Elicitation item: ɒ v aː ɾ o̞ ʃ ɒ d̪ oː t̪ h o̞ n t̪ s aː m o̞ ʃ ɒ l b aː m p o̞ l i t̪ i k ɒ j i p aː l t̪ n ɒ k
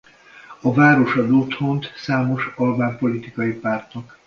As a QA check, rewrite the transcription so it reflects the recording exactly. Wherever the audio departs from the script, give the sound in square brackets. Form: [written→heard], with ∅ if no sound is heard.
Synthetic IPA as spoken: ɒ v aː ɾ o̞ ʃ ɒ d̪ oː t̪ h o̞ n t̪ s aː m o̞ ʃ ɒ l b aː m p o̞ l i t̪ i k ɒ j i p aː [l→r] t̪ n ɒ k